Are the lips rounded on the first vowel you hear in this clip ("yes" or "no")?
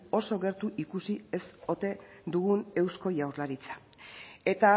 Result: yes